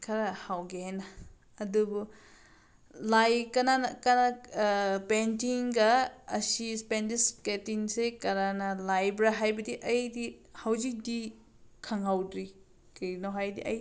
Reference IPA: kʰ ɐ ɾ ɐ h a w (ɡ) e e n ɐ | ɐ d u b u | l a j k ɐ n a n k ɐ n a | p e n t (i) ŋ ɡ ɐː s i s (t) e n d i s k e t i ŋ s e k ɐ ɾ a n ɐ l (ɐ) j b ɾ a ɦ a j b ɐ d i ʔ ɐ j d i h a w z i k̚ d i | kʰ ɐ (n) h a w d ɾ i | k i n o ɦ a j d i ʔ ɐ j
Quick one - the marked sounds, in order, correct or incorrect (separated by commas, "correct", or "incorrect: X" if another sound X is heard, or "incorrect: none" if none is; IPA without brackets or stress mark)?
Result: correct, correct, incorrect: p, incorrect: a, incorrect: ŋ